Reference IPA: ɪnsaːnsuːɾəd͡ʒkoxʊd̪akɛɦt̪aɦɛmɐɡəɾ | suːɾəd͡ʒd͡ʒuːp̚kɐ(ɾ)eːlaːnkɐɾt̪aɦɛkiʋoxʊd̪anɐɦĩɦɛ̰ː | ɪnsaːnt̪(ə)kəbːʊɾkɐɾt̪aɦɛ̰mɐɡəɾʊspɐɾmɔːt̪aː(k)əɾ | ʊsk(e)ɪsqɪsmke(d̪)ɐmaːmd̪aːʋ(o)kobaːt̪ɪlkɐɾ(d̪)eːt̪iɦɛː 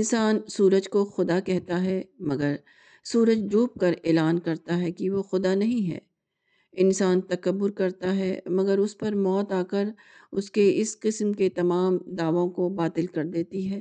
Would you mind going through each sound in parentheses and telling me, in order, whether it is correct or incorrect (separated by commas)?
correct, incorrect, correct, correct, incorrect, incorrect, correct